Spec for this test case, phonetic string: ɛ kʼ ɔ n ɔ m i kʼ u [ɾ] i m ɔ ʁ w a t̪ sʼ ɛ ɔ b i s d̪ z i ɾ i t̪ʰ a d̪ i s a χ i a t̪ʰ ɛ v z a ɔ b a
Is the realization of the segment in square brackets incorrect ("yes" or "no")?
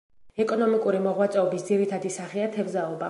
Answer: no